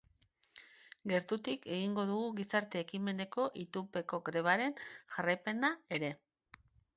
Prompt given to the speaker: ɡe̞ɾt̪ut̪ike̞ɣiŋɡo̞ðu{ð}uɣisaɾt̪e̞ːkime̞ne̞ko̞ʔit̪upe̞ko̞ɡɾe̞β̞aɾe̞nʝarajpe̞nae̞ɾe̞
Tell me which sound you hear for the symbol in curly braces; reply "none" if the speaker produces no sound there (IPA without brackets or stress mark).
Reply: ɣ